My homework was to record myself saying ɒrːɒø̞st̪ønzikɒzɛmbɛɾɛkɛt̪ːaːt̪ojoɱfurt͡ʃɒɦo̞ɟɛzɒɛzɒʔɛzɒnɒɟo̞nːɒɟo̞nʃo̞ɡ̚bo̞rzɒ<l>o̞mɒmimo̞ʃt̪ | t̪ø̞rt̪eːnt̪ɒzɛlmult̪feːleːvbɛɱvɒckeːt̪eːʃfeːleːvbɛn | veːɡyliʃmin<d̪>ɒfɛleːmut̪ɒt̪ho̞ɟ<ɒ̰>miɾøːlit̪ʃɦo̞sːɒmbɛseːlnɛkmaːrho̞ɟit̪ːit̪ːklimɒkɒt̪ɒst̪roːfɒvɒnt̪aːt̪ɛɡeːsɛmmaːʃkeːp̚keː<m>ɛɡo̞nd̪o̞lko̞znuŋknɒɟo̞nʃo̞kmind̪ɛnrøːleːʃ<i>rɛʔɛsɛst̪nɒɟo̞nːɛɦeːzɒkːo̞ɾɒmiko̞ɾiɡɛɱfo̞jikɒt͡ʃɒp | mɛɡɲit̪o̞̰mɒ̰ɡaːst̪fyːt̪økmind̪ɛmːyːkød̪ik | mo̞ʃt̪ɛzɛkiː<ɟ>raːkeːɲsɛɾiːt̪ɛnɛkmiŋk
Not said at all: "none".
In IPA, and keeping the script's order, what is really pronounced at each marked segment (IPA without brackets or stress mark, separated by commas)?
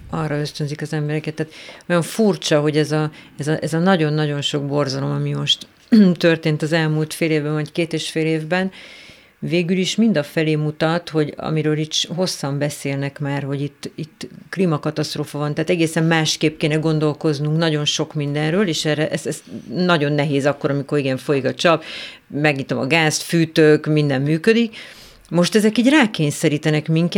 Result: l, d̪, ɒ̰, n, ɛ, ɟ